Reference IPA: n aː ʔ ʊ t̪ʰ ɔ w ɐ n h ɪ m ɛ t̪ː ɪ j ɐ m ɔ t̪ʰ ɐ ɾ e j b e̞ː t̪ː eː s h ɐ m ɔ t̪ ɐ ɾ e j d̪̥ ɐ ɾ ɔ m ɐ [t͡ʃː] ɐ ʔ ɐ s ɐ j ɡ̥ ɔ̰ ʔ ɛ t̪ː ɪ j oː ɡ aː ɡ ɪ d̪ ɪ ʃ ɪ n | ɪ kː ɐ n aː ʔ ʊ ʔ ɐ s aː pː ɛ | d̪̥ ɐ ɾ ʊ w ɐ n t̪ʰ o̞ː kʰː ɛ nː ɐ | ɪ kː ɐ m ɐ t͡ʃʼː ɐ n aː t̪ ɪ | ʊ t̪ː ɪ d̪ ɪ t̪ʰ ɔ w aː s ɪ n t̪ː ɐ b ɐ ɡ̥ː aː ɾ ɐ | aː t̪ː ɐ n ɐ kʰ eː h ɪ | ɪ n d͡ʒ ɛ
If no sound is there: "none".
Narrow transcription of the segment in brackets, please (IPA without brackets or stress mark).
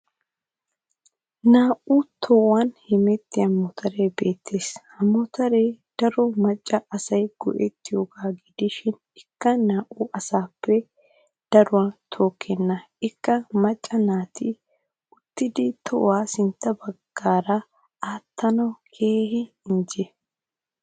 t͡ʃʼː